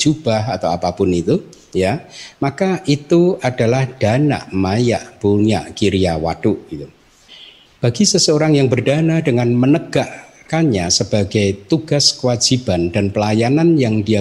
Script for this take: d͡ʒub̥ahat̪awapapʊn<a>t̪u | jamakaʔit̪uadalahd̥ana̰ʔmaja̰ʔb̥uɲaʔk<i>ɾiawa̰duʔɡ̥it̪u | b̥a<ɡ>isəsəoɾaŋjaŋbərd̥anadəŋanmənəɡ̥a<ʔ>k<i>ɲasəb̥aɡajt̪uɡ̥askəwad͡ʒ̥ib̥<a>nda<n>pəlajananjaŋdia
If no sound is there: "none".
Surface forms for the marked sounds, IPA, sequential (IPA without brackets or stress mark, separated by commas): i, i, ɡ, ʔ, a, a, n